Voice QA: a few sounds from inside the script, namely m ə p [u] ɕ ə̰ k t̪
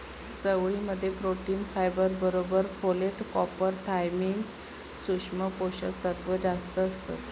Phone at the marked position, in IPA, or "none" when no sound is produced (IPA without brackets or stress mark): o